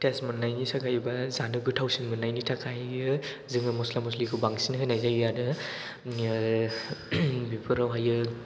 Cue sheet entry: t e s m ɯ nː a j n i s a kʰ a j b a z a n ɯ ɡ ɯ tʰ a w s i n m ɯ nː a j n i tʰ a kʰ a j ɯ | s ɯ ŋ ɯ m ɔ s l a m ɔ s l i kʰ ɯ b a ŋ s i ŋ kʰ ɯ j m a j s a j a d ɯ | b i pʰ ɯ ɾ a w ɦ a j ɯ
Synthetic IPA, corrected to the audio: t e s m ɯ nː a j n i s a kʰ a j b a z a n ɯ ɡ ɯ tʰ a w s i n m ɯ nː a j n i tʰ a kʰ a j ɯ | z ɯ ŋ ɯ m ɔ s l a m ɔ s l i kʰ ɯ b a ŋ s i n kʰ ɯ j n a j z a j a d ɯ | b i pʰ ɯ ɾ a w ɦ a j ɯ

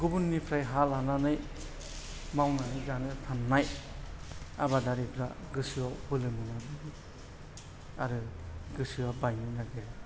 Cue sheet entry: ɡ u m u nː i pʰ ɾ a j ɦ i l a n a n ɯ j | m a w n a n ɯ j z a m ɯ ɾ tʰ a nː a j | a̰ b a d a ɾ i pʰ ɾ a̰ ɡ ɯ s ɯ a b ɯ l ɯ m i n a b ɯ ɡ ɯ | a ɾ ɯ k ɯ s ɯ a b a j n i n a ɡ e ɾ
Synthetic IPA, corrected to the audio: ɡ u b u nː i pʰ ɾ a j ɦ a l a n a n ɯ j | m a w n a n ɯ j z a n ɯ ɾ tʰ a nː a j | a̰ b a d a ɾ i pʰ ɾ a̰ ɡ ɯ s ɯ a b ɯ l ɯ m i n a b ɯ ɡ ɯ | a ɾ ɯ ɡ ɯ s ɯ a b a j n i n a ɡ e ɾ

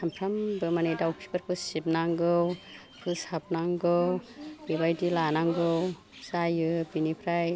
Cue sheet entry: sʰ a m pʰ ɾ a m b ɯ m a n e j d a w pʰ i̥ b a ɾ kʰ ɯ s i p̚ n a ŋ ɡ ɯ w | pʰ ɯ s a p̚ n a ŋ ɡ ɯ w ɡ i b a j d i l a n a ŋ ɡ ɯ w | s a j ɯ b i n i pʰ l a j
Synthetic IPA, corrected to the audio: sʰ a m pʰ ɾ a m b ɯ m a n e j d a w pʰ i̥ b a ɾ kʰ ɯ s i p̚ n a ŋ ɡ ɯ w | pʰ ɯ s a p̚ n a ŋ ɡ ɯ w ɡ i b a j d i l a n a ŋ ɡ ɯ w | s a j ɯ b i n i pʰ ɾ a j

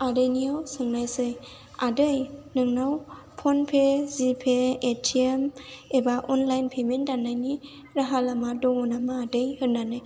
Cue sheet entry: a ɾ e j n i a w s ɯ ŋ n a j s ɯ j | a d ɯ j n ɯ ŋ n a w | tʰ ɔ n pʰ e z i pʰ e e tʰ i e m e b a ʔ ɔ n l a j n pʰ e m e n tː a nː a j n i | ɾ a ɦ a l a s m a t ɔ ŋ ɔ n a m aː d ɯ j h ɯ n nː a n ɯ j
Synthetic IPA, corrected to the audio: a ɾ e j n i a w s ɯ ŋ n a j s ɯ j | a d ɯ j n ɯ ŋ n a w | pʰ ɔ n pʰ e z i pʰ e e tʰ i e m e b a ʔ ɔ n l a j n pʰ e m e n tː a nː a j n i | ɾ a ɦ a l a m a d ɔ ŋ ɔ n a m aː d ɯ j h ɯ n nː a n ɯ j

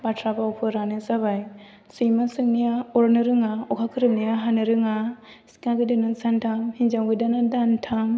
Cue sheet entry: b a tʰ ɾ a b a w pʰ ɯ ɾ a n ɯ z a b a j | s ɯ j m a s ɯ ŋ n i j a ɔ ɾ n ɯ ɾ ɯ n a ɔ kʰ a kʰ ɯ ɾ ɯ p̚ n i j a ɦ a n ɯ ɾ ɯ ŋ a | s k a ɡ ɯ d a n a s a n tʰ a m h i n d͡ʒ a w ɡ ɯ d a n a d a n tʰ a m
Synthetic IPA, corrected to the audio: b a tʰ ɾ a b a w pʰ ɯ ɾ a n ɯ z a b a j | s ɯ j m a s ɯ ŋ n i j a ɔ ɾ n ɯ ɾ ɯ ŋ a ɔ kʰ a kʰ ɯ ɾ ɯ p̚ n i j a ɦ a n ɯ ɾ ɯ ŋ a | s k a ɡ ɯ d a n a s a n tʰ a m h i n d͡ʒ a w ɡ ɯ d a n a d a n tʰ a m

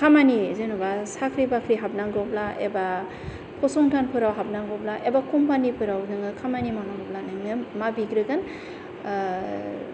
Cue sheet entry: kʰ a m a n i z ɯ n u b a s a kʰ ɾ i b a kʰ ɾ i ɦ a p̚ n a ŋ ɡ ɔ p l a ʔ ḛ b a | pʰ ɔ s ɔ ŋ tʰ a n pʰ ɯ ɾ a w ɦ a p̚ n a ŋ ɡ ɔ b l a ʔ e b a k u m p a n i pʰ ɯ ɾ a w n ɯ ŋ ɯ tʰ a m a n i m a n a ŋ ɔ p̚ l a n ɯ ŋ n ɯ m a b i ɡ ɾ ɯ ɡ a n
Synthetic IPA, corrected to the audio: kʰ a m a n i z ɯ n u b a s a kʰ ɾ i b a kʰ ɾ i ɦ a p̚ n a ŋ ɡ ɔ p l a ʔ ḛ b a | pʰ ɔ s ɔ ŋ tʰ a n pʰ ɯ ɾ a w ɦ a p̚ n a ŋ ɡ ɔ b l a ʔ e b a k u m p a n i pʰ ɯ ɾ a w n ɯ ŋ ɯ kʰ a m a n i m a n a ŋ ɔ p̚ l a n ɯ ŋ n ɯ m a b i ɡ ɾ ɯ ɡ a n

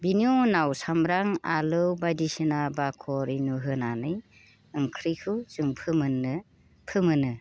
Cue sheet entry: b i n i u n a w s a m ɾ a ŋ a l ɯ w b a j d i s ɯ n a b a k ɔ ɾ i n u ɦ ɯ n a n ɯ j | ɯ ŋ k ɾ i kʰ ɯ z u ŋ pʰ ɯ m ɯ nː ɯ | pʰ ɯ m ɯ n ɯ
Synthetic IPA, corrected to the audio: b i n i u n a w s a m ɾ a ŋ a l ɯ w b a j d i s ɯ n a b a kʰ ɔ ɾ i n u ɦ ɯ n a n ɯ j | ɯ ŋ kʰ ɾ i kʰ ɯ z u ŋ pʰ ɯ m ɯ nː ɯ | pʰ ɯ m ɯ n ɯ

